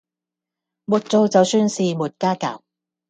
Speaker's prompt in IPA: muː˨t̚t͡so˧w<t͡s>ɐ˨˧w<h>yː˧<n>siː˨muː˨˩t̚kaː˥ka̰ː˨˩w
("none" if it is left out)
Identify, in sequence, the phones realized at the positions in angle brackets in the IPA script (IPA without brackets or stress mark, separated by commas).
t͡s, s, n